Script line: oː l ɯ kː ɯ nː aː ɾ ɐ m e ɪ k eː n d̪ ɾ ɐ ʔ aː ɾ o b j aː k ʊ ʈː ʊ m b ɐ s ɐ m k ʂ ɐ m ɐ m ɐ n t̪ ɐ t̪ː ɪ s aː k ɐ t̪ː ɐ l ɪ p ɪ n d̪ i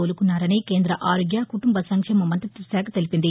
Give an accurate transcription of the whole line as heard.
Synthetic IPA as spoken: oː l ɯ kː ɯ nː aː ɾ ɐ n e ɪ k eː n d̪ ɾ ɐ ʔ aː ɾ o ɡ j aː k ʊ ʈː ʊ m b ɐ s ɐ ŋ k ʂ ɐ m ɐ m ɐ n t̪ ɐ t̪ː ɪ s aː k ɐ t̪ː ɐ l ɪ p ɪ n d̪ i